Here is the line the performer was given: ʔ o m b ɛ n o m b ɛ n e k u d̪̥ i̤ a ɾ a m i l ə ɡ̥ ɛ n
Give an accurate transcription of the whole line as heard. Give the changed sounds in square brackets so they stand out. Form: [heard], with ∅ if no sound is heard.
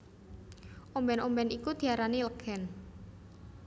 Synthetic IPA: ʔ o m b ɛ n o m b ɛ n [i] k u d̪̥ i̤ a ɾ a [n] i l ə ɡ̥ ɛ n